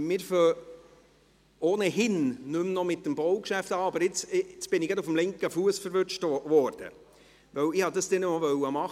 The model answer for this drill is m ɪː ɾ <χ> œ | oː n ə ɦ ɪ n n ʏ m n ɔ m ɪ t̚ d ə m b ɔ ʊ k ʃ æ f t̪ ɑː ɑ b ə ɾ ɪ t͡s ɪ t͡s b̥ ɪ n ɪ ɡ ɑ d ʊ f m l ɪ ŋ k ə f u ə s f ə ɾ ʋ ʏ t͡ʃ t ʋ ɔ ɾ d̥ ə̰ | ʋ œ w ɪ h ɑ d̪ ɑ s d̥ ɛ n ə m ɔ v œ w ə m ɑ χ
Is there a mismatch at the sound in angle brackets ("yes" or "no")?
yes